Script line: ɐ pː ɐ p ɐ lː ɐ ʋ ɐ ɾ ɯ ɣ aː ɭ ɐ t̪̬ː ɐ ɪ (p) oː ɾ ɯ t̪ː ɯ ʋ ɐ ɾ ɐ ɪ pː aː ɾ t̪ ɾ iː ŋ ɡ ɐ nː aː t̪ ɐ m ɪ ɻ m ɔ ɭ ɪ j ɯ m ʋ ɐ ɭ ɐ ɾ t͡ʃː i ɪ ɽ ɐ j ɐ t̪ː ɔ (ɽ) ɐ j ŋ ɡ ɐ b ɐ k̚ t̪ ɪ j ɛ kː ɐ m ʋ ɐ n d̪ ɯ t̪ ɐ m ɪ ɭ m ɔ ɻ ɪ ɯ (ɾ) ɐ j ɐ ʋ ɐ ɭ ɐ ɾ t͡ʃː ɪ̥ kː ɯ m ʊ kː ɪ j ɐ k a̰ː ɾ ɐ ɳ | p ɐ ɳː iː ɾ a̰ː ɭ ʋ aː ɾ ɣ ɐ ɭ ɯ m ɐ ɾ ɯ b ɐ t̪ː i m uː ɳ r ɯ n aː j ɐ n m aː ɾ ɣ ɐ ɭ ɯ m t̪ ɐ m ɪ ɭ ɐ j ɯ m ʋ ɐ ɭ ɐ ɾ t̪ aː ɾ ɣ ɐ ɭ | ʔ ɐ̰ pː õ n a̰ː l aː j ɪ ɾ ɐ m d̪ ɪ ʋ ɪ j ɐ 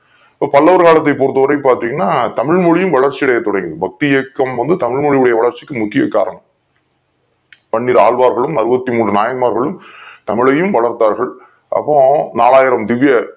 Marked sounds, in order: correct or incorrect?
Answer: correct, correct, incorrect

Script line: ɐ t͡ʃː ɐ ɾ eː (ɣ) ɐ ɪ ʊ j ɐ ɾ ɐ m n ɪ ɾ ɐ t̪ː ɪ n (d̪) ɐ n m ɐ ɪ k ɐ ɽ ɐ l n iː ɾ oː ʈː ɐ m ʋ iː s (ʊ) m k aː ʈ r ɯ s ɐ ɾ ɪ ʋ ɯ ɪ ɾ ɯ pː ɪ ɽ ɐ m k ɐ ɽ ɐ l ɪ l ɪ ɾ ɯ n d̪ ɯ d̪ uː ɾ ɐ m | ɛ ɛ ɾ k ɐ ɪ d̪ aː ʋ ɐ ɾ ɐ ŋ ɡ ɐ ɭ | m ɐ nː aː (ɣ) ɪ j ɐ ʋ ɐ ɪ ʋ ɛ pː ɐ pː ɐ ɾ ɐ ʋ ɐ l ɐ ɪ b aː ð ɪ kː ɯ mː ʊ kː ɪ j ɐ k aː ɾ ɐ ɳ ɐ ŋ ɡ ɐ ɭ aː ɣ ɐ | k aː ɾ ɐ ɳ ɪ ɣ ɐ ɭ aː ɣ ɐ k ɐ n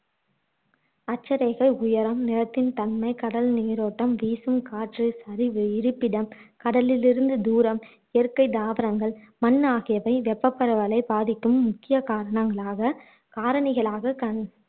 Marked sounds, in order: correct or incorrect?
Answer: correct, incorrect, incorrect, correct

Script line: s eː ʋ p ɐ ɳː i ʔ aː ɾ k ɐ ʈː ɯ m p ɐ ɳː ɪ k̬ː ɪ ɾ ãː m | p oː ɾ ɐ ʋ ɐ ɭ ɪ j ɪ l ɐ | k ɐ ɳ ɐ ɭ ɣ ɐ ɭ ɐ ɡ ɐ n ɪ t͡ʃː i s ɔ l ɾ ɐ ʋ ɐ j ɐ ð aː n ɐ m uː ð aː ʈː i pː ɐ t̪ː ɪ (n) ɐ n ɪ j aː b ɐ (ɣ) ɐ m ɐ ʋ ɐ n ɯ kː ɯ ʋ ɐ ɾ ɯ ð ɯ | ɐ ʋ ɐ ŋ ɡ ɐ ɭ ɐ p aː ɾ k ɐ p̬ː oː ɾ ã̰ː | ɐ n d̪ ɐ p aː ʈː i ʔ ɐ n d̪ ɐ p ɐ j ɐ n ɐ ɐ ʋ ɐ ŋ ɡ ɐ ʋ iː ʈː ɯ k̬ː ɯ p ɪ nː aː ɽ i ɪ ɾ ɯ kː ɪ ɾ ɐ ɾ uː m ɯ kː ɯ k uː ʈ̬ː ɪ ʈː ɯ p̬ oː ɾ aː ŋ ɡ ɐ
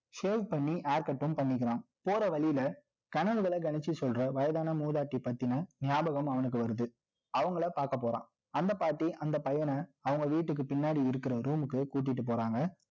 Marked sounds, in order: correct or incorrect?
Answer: correct, correct

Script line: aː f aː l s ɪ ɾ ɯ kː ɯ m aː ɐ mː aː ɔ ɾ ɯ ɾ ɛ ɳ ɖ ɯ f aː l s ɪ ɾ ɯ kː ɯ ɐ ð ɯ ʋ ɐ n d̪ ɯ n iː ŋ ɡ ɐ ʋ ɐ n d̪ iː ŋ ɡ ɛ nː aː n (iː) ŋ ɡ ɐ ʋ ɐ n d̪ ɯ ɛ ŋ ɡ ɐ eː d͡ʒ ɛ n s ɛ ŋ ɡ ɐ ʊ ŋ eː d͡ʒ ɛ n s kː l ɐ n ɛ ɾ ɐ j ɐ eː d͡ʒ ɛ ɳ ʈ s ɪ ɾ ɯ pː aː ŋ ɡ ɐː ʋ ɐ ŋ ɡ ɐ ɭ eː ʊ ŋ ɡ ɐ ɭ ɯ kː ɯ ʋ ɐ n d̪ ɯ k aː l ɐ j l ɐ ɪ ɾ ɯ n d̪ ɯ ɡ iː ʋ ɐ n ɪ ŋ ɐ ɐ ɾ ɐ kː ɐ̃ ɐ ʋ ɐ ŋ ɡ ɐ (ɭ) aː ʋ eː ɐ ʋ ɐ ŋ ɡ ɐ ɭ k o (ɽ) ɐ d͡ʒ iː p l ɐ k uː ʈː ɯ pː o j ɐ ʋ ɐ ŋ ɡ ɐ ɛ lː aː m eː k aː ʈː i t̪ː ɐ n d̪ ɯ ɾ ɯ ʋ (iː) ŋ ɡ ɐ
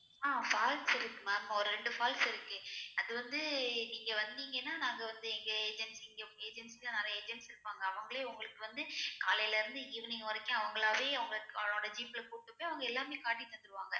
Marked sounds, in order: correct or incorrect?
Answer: incorrect, correct, correct, incorrect

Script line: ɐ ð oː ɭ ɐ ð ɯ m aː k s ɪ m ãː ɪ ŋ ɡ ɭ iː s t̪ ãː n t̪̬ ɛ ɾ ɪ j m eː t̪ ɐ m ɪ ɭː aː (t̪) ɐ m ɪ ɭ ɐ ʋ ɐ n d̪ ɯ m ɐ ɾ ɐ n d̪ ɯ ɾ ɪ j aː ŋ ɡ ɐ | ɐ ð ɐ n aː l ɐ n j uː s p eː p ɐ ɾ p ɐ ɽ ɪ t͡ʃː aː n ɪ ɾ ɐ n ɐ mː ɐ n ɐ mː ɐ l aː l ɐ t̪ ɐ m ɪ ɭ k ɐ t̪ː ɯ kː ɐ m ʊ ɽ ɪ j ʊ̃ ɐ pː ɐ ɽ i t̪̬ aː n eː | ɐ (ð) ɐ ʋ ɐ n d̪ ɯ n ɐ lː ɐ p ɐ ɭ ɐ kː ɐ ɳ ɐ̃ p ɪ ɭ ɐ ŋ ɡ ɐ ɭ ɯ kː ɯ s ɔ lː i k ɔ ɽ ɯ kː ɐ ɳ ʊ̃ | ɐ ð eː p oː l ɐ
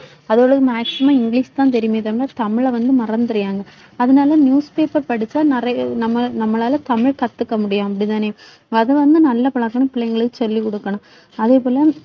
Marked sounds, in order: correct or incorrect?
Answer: correct, correct

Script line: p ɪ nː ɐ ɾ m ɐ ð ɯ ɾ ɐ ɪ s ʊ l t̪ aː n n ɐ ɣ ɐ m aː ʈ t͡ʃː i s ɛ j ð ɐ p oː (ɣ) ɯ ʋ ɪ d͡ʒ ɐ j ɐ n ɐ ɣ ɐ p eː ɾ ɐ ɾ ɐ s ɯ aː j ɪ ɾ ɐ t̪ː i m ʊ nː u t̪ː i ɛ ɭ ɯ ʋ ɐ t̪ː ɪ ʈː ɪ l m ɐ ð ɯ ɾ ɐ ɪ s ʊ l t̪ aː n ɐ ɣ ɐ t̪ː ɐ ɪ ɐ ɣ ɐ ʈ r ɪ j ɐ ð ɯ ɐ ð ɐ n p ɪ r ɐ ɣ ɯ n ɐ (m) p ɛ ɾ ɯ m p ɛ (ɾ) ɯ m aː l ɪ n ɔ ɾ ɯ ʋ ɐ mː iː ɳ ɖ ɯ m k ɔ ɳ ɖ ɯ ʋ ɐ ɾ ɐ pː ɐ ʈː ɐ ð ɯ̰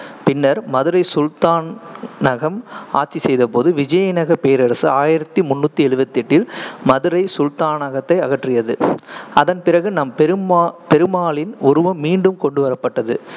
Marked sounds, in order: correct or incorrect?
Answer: incorrect, correct, correct

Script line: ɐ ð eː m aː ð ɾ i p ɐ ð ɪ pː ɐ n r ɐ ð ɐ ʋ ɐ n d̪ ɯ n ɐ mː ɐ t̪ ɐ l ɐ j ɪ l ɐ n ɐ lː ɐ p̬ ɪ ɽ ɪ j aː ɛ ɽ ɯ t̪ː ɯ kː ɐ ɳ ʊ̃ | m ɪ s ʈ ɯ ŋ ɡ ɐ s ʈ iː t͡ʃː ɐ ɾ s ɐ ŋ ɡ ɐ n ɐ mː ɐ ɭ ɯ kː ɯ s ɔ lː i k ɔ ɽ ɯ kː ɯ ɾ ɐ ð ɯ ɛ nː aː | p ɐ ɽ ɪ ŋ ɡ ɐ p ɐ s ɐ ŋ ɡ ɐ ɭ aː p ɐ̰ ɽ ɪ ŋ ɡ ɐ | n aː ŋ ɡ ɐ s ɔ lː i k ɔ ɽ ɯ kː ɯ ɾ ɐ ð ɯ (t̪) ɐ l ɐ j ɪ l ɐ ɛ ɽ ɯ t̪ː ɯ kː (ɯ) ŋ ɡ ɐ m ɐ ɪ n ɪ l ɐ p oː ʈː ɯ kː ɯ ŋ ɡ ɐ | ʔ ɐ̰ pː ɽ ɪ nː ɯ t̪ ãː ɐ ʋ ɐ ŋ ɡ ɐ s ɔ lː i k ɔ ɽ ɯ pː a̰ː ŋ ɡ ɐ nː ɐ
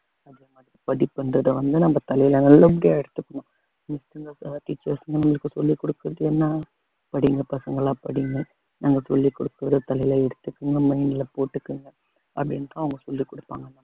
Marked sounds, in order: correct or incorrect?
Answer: correct, correct

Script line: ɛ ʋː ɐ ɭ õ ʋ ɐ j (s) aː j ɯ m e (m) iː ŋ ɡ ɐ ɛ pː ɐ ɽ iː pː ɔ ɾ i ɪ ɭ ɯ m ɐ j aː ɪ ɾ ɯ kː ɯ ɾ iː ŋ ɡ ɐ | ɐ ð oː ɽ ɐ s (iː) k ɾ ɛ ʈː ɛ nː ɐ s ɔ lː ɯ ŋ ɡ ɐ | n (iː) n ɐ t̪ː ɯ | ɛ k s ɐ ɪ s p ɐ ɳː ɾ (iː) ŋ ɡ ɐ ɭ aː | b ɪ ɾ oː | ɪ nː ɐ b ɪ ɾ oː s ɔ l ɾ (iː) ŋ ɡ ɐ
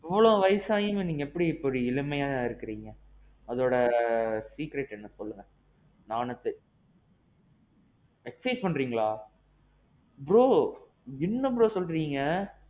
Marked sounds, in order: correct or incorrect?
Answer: correct, incorrect, correct, incorrect, correct, correct

